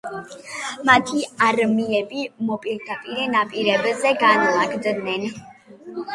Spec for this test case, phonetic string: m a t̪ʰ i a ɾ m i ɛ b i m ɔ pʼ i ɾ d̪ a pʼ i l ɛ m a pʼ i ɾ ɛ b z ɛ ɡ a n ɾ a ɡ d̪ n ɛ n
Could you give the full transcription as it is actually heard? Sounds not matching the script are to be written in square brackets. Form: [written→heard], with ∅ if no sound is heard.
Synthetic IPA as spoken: m a t̪ʰ i a ɾ m i ɛ b i m ɔ pʼ i ɾ d̪ a pʼ i [l→ɾ] ɛ [m→n] a pʼ i ɾ ɛ b z ɛ ɡ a n [ɾ→l] a ɡ d̪ n ɛ n